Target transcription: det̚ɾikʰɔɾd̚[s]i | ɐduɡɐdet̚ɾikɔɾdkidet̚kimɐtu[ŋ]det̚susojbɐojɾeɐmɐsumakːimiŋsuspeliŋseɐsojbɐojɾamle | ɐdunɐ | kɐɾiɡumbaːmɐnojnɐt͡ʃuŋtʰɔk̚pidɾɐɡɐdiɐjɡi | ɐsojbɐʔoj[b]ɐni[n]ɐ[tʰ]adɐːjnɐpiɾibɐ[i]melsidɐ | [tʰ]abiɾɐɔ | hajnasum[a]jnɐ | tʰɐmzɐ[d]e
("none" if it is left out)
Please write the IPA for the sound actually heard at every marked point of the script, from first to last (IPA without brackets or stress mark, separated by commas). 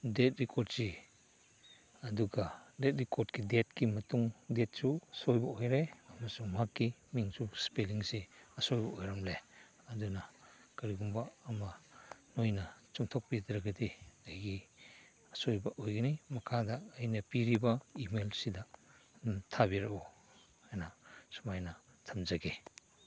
s, ŋ, ɡ, m, kʰ, i, tʰ, a, ɡ